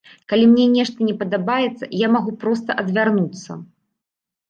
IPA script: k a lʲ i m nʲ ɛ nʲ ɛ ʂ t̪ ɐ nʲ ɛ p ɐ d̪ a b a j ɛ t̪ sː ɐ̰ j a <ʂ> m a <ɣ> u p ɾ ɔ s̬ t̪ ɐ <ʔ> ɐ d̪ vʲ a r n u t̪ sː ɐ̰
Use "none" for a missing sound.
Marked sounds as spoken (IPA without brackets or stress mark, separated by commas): none, ɣ, ʔ